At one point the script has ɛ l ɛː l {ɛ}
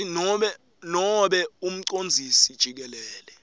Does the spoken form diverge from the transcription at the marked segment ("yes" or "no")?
no